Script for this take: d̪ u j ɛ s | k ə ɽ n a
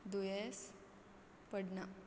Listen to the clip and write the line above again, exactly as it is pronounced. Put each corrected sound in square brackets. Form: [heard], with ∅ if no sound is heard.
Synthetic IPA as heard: d̪ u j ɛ s | [p] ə ɽ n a